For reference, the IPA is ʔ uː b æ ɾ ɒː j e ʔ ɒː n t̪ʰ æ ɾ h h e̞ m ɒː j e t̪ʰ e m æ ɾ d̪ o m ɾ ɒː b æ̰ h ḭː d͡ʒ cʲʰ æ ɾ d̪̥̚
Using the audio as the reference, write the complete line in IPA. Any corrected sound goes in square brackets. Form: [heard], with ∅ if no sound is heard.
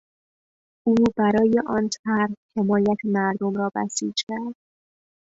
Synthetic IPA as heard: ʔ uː b æ ɾ ɒː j e ʔ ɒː n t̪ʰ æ ɾ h h e̞ m ɒː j [æ] t̪ʰ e m æ ɾ d̪ o m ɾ ɒː b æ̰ [s] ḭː d͡ʒ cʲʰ æ ɾ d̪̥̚